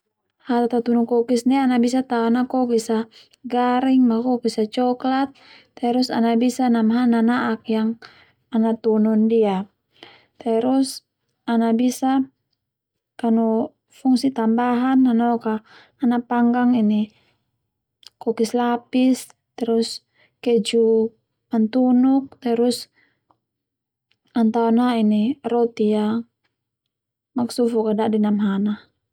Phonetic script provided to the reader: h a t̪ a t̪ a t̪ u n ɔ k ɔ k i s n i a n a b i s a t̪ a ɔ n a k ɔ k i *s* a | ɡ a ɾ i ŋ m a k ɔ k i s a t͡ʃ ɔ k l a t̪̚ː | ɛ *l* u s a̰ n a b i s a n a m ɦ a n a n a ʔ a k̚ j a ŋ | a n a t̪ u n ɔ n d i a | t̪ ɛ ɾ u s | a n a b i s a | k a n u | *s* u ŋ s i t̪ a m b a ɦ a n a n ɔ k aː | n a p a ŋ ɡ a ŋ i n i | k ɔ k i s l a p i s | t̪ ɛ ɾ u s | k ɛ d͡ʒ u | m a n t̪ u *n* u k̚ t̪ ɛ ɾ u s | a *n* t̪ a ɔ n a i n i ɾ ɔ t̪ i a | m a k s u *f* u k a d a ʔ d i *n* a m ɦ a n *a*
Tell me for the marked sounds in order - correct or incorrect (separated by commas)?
correct, incorrect, incorrect, correct, correct, correct, correct, correct